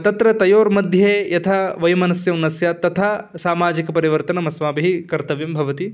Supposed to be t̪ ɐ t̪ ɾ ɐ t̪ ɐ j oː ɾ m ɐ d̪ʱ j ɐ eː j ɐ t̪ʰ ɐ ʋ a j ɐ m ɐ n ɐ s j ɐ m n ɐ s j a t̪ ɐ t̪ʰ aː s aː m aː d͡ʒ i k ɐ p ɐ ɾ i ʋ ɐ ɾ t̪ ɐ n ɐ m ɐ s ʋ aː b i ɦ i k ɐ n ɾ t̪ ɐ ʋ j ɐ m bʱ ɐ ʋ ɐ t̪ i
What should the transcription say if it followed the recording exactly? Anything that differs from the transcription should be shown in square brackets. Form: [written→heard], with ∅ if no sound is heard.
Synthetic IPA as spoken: t̪ ɐ t̪ ɾ ɐ t̪ ɐ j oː ɾ m ɐ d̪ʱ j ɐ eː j ɐ t̪ʰ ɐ ʋ [a→ɐ] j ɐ m ɐ n ɐ s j ɐ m n ɐ s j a t̪ ɐ t̪ʰ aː s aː m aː d͡ʒ i k ɐ p ɐ ɾ i ʋ ɐ ɾ t̪ ɐ n ɐ m ɐ s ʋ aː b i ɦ i k ɐ [n→∅] ɾ t̪ ɐ ʋ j ɐ m bʱ ɐ ʋ ɐ t̪ i